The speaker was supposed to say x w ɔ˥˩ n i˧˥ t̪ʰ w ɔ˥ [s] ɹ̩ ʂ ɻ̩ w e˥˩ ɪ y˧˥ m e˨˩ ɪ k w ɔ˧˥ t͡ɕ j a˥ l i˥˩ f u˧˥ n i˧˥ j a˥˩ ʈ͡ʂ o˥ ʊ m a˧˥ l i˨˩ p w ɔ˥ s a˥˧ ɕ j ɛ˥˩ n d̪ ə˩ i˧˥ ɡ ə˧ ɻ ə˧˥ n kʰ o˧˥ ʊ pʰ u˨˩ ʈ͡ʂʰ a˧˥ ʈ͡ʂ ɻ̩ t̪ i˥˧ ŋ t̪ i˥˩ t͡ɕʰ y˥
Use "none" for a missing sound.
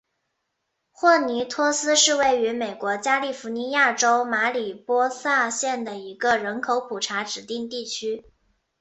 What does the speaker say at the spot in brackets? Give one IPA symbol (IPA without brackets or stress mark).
s